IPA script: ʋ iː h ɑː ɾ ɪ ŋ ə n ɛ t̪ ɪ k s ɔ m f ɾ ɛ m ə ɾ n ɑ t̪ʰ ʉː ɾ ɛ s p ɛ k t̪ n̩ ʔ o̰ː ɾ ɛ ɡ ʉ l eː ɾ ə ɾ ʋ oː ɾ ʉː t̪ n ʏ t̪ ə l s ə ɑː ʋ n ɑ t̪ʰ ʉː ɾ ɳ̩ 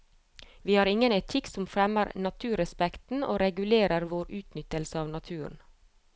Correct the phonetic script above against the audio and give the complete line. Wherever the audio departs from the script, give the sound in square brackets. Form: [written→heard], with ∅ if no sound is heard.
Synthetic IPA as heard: ʋ iː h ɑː ɾ ɪ ŋ ə n ɛ [t̪→t̪ʰ] ɪ k s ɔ m f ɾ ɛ m ə ɾ n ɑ t̪ʰ ʉː ɾ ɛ s p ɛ k t̪ n̩ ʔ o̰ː ɾ ɛ ɡ ʉ l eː ɾ ə ɾ ʋ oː ɾ ʉː t̪ n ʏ t̪ ə l s ə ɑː ʋ n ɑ t̪ʰ ʉː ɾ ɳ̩